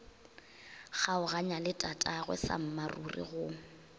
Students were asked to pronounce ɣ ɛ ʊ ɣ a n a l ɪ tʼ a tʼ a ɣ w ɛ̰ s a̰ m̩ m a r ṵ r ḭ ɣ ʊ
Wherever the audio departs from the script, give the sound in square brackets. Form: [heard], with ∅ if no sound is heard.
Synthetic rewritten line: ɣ [a] ʊ ɣ a [ɲ] a l ɪ tʼ a tʼ a ɣ w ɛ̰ s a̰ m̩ m a r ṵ r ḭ ɣ ʊ